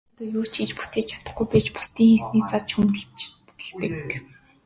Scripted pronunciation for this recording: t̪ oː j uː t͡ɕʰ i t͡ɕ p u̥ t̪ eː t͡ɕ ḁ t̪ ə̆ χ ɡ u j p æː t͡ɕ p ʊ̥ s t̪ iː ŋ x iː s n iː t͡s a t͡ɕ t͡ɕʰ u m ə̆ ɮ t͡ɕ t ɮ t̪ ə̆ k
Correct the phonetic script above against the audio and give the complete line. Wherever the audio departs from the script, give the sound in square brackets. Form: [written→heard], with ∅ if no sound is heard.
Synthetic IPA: t̪ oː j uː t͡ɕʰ i t͡ɕ p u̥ t̪ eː [t͡ɕ→t͡ɕʰ] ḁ t̪ ə̆ χ ɡ u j p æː t͡ɕ p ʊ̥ s t̪ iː ŋ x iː s n iː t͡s a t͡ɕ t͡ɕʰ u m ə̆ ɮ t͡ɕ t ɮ t̪ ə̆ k